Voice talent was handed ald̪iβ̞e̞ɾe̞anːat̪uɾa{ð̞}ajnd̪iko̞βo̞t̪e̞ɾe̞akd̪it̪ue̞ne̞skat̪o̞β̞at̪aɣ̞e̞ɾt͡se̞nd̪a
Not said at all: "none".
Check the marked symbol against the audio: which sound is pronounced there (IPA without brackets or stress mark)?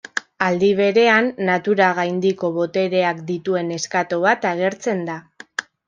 ɣ̞